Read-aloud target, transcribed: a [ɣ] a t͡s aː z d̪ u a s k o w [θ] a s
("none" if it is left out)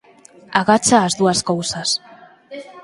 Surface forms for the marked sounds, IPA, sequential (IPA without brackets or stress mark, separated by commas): ɣ, s